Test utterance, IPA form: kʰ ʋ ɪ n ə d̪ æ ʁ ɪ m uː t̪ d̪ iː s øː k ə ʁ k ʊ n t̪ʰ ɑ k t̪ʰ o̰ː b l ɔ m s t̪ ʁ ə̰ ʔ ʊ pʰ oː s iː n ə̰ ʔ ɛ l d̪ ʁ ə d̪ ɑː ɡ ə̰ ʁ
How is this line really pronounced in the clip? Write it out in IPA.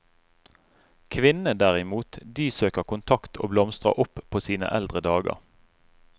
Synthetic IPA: kʰ ʋ ɪ n ə d̪ æ ʁ ɪ m uː t̪ d̪ iː s øː k ə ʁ k ʊ n t̪ʰ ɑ k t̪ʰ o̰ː b l ɔ m s t̪ ʁ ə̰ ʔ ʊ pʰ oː s iː n ə̰ ʔ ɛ l d̪ ʁ ə d̪ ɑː ɡ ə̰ ʁ